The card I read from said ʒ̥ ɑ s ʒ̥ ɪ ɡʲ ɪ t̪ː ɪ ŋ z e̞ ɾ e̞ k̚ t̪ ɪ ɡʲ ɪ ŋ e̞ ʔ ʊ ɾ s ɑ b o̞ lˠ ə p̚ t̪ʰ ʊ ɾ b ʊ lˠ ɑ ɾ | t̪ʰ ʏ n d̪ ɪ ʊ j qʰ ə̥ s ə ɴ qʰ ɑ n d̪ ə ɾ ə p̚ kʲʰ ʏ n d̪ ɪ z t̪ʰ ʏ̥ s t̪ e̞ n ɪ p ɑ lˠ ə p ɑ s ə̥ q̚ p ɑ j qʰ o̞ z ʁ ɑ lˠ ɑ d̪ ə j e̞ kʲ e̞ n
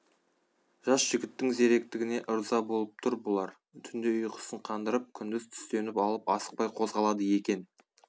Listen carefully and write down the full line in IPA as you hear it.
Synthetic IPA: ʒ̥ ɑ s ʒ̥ ɪ ɡʲ ɪ t̪ː ɪ ŋ z e̞ ɾ e̞ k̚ t̪ ɪ ɡʲ ɪ n e̞ ʔ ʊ ɾ z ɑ b o̞ lˠ ə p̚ t̪ʰ ʊ ɾ b ʊ lˠ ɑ ɾ | t̪ʰ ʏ n d̪ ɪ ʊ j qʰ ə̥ s ə ɴ qʰ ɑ n d̪ ə ɾ ə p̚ kʲʰ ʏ n d̪ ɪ z t̪ʰ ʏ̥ s t̪ e̞ n ɪ p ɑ lˠ ə p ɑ s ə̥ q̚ p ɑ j qʰ o̞ z ʁ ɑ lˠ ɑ d̪ ə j e̞ kʲ e̞ n